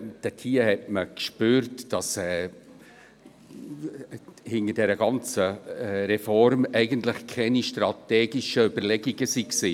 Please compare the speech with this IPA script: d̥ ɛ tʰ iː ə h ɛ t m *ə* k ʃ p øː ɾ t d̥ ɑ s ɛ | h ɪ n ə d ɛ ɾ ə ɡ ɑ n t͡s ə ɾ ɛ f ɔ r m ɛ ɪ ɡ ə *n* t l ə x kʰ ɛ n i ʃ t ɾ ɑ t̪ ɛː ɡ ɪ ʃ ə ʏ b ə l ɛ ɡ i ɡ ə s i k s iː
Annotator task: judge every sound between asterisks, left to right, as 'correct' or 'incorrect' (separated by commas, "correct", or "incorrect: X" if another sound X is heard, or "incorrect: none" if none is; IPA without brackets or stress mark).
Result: correct, correct